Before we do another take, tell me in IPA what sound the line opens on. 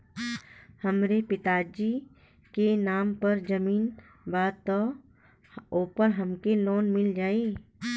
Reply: h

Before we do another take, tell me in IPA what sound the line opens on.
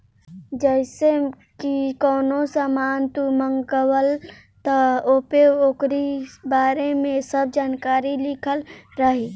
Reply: d͡ʒ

